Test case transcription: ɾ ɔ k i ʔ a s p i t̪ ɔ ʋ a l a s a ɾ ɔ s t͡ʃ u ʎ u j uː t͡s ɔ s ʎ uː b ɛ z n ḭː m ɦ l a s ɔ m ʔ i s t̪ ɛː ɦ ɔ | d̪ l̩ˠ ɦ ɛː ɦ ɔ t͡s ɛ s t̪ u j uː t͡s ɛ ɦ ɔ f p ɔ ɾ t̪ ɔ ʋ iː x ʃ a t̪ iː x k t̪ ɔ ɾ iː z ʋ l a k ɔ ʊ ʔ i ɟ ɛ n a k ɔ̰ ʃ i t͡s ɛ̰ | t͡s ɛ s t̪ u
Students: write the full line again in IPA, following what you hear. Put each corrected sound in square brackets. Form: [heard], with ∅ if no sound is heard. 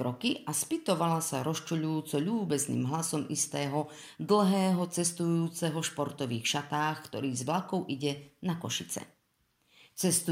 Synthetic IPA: ɾ ɔ k i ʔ a s p i t̪ ɔ ʋ a l a s a ɾ ɔ s t͡ʃ u ʎ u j uː t͡s ɔ [∅] ʎ uː b ɛ z n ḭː m ɦ l a s ɔ m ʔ i s t̪ ɛː ɦ ɔ | d̪ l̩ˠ ɦ ɛː ɦ ɔ t͡s ɛ s t̪ u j uː t͡s ɛ ɦ ɔ [ʃ] p ɔ ɾ t̪ ɔ ʋ iː x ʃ a t̪ [aː] x k t̪ ɔ ɾ iː z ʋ l a k ɔ ʊ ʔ i ɟ ɛ n a k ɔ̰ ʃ i t͡s ɛ̰ | t͡s ɛ s t̪ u